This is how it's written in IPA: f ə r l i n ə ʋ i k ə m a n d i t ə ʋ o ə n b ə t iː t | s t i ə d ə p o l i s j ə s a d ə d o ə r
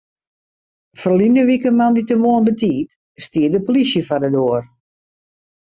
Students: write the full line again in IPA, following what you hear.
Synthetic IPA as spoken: f ə r l i n ə ʋ i k ə m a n d i t ə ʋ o ə n b ə t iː t | s t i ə d ə p o l i s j ə f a d ə d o ə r